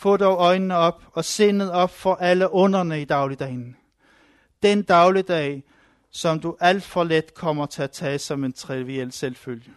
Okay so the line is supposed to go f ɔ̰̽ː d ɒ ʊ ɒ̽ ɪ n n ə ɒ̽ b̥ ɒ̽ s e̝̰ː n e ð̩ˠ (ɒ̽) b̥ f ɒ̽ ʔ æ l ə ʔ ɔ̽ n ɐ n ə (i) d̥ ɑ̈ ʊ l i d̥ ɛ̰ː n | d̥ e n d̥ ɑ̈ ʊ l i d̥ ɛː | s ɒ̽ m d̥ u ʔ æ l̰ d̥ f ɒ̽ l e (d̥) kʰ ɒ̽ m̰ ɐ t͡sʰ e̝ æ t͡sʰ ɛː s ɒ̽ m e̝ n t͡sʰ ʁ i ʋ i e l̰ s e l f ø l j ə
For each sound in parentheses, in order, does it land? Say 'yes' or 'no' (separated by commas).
yes, yes, yes